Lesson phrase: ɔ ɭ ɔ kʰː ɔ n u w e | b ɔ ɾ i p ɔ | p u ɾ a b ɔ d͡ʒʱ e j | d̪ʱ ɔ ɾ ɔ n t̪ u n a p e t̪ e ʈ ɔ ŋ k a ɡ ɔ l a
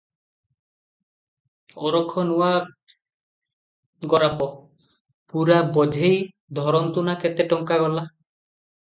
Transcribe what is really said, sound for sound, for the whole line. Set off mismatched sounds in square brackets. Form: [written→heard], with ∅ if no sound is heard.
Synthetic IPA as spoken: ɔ [ɭ→ɾ] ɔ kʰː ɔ n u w [e→a] | [b→ɡ] ɔ ɾ [i→a] p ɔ | p u ɾ a b ɔ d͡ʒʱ e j | d̪ʱ ɔ ɾ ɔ n t̪ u n a [p→k] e t̪ e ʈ ɔ ŋ k a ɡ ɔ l a